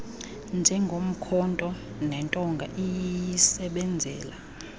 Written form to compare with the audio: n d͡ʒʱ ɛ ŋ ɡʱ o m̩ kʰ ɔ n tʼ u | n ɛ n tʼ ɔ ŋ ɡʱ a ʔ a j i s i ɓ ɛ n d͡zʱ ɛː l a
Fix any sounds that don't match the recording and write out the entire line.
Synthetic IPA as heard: n d͡ʒʱ ɛ ŋ ɡʱ o m̩ kʰ ɔ n tʼ ɔ | n ɛ n tʼ ɔ ŋ ɡʱ a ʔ i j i s ɛ ɓ ɛ n d͡zʱ ɛː l a